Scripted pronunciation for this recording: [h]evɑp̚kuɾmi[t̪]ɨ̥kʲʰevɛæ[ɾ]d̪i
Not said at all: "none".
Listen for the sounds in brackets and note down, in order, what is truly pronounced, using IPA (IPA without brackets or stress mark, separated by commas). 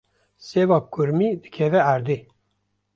s, d̪, ɾ